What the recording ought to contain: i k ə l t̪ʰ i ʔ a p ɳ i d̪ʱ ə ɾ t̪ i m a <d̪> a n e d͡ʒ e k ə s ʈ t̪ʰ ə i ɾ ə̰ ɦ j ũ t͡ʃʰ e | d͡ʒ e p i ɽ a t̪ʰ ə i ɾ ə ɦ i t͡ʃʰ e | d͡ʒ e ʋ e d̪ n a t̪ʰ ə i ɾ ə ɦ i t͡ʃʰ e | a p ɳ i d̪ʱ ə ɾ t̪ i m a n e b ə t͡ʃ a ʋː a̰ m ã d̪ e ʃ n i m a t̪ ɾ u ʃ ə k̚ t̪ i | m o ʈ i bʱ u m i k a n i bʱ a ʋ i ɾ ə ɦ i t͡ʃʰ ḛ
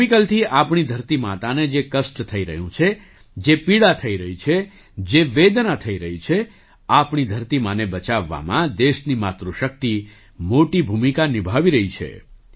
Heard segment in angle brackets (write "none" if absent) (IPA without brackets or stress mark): t̪